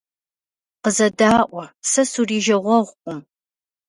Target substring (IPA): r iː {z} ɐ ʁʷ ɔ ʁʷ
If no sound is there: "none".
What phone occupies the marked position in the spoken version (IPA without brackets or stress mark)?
ʒ